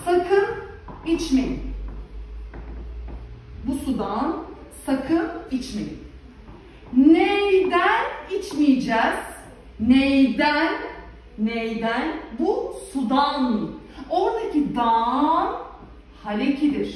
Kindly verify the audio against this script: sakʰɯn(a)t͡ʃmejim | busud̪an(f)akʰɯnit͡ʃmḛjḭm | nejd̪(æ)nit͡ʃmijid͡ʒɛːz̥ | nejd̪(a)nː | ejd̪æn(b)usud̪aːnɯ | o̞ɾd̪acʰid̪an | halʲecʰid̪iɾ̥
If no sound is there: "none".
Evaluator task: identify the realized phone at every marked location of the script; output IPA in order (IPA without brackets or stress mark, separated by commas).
i, s, æ, æ, b